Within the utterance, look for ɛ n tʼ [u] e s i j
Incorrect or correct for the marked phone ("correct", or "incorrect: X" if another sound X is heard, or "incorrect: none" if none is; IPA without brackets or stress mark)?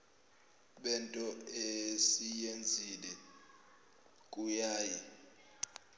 incorrect: ɔ